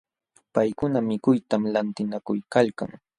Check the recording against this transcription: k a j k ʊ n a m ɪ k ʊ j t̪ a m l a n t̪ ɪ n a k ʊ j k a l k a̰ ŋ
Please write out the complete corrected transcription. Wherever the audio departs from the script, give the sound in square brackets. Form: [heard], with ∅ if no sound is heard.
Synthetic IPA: [p] a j k ʊ n a m ɪ k ʊ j t̪ a m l a n t̪ ɪ n a k ʊ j k a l k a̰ ŋ